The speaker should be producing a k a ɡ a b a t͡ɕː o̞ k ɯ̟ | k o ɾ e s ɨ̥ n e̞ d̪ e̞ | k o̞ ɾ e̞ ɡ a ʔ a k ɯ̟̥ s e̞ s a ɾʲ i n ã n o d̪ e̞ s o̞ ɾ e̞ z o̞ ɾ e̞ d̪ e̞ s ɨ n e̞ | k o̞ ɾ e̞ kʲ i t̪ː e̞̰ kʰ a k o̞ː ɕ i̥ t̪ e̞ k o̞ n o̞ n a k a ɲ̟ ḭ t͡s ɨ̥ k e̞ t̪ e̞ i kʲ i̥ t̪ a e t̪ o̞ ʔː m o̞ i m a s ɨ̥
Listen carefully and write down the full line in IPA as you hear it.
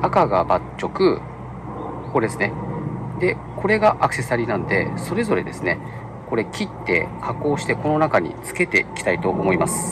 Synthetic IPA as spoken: a k a ɡ a b a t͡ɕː o̞ k ɯ̟ | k o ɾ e s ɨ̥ n e̞ d̪ e̞ | k o̞ ɾ e̞ ɡ a ʔ a k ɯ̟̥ s e̞ s a ɾʲ i n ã n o d̪ e̞ s o̞ ɾ e̞ z o̞ ɾ e̞ d̪ e̞ s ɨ n e̞ | k o̞ ɾ e̞ kʲ i t̪ː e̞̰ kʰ a k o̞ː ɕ i̥ t̪ e̞ k o̞ n o̞ n a k a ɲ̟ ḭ t͡s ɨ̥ k e̞ t̪ e̞ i kʲ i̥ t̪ a i t̪ o̞ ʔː m o̞ i m a s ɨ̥

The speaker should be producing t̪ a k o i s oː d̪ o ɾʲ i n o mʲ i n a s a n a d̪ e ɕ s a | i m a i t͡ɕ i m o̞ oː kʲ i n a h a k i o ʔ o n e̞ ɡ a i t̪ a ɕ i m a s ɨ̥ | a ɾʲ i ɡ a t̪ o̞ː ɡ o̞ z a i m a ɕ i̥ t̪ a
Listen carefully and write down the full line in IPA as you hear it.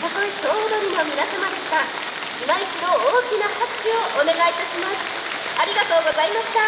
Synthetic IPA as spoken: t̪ a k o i s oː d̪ o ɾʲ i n o mʲ i n a s a m a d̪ e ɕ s a | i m a i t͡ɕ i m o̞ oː kʲ i n a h a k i o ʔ o n e̞ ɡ a i t̪ a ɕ i m a s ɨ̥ | a ɾʲ i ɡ a t̪ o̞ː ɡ o̞ z a i m a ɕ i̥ t̪ a

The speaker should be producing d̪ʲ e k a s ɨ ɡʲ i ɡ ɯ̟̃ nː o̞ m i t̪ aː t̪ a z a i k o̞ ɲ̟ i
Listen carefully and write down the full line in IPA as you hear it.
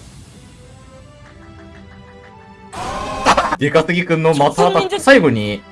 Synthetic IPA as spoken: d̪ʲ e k a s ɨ ɡʲ i k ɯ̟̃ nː o̞ m a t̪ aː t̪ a s a i ɡ o̞ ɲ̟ i

